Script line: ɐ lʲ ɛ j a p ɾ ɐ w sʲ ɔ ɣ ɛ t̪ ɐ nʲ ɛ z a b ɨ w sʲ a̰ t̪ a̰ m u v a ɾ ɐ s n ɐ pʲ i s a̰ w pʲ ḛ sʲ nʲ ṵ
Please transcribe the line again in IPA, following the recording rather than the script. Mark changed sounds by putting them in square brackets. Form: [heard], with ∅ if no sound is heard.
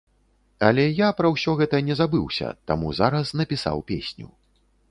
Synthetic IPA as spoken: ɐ lʲ ɛ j a p ɾ ɐ w sʲ ɔ ɣ ɛ t̪ ɐ nʲ ɛ z a b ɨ w sʲ [ɐ̰] t̪ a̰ m u [z] a ɾ ɐ s n ɐ pʲ i s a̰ w pʲ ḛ sʲ nʲ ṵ